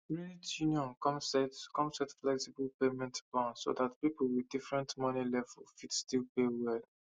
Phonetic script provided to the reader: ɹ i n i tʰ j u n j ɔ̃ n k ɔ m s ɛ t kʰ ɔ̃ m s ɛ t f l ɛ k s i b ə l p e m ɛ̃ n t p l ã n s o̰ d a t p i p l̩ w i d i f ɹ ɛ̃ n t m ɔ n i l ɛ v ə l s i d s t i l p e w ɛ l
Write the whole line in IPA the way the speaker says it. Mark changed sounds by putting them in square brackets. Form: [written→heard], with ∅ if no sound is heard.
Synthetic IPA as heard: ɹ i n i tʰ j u n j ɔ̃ n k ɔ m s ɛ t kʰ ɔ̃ m s ɛ t f l ɛ k s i b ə l p e m ɛ̃ n t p l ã n s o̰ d a t p i p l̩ w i d i f ɹ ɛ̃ n t m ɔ n i l ɛ v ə l [s→f] i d s t i l p e w ɛ l